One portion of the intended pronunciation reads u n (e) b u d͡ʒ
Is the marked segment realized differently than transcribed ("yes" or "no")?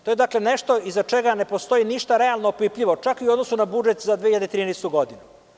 yes